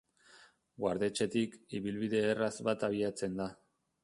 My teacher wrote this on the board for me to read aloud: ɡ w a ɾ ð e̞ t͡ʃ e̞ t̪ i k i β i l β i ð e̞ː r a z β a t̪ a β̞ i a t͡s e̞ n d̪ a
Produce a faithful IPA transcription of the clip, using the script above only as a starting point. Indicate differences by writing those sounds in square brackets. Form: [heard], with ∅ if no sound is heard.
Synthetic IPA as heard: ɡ w a ɾ ð e̞ t͡ʃ e̞ t̪ i k i β i l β i ð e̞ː r a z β a t̪ a β̞ i a t͡s e̞ n d̪ a